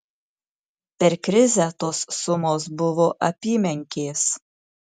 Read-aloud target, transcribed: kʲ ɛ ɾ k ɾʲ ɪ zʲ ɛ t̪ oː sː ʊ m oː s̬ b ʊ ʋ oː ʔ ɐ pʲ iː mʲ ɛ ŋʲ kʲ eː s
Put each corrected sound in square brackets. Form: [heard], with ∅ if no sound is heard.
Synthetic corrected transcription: [pʲ] ɛ ɾ k ɾʲ ɪ zʲ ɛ t̪ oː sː ʊ m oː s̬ b ʊ ʋ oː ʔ ɐ pʲ iː mʲ ɛ ŋʲ kʲ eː s

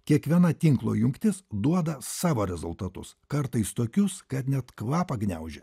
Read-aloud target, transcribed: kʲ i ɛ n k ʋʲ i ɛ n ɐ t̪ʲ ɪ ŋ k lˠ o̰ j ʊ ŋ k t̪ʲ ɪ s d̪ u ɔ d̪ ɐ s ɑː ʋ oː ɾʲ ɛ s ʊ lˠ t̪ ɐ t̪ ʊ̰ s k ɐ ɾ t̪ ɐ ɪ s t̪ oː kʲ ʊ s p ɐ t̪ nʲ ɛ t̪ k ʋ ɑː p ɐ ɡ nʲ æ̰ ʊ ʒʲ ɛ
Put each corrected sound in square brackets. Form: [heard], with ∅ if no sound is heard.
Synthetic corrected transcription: kʲ i ɛ [∅] k ʋʲ i ɛ n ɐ t̪ʲ ɪ ŋ k lˠ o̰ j ʊ ŋ k t̪ʲ ɪ s d̪ u ɔ d̪ ɐ s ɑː ʋ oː ɾʲ ɛ [z] ʊ lˠ t̪ ɐ t̪ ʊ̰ s k ɐ ɾ t̪ ɐ ɪ s t̪ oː kʲ ʊ s [k] ɐ t̪ nʲ ɛ t̪ k ʋ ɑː p ɐ ɡ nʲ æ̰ ʊ ʒʲ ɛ

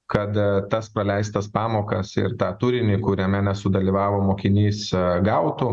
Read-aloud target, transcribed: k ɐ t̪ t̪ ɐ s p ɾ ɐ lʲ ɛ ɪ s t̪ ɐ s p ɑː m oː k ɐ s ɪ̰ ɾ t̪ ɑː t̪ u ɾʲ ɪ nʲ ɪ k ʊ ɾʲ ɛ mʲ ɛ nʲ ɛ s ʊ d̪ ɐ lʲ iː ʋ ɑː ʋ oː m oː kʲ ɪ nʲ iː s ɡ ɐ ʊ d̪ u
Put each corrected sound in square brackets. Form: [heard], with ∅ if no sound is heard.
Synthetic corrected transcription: k ɐ t̪ t̪ ɐ s p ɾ ɐ lʲ ɛ ɪ s t̪ ɐ s p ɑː m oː k ɐ s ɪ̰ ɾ t̪ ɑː t̪ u ɾʲ ɪ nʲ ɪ k ʊ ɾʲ ɛ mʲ ɛ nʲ ɛ s ʊ d̪ ɐ lʲ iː ʋ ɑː ʋ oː m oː kʲ ɪ nʲ iː s ɡ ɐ ʊ [t̪] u

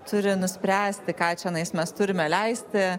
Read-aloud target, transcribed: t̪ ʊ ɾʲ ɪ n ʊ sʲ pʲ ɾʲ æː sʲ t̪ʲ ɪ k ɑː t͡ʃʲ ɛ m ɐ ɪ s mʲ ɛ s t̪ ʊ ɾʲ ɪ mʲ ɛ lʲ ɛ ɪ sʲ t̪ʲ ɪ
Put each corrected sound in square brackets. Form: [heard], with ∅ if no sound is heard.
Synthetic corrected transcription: t̪ ʊ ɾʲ ɪ n ʊ sʲ pʲ ɾʲ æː sʲ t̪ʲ ɪ k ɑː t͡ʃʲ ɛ [n] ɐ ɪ s mʲ ɛ s t̪ ʊ ɾʲ ɪ mʲ ɛ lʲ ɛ ɪ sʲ t̪ʲ ɪ

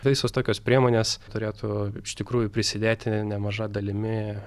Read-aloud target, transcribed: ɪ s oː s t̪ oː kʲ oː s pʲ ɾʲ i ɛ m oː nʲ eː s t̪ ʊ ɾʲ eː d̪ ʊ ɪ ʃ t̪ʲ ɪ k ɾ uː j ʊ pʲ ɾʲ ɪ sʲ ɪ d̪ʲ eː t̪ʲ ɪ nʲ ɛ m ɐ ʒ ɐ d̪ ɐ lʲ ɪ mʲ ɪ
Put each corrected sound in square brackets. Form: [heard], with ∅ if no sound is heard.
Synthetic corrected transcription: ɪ s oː s t̪ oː kʲ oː s pʲ ɾʲ i ɛ m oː nʲ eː s t̪ ʊ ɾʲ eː [t̪] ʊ ɪ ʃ t̪ʲ ɪ k ɾ uː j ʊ pʲ ɾʲ ɪ sʲ ɪ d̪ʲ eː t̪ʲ ɪ nʲ ɛ m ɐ ʒ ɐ d̪ ɐ lʲ ɪ mʲ ɪ

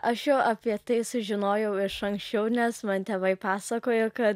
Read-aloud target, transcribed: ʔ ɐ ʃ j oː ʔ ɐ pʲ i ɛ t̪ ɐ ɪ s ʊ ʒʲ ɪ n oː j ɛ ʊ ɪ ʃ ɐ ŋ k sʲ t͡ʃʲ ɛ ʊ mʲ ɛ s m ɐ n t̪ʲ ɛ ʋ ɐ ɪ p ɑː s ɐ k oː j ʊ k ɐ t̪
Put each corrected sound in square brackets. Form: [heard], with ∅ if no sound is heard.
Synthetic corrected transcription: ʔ ɐ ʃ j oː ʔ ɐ pʲ i ɛ t̪ ɐ ɪ s ʊ ʒʲ ɪ n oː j ɛ ʊ ɪ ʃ ɐ ŋ k sʲ t͡ʃʲ ɛ ʊ [nʲ] ɛ s m ɐ n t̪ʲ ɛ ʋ ɐ ɪ p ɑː s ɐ k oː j ʊ k ɐ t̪

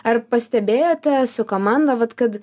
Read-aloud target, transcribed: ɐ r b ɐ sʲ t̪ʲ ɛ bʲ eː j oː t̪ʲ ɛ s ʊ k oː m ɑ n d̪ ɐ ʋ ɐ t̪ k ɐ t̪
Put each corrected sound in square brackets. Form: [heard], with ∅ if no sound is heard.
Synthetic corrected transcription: ɐ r [p] ɐ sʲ t̪ʲ ɛ bʲ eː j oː t̪ʲ ɛ s ʊ k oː m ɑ n d̪ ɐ ʋ ɐ t̪ k ɐ t̪

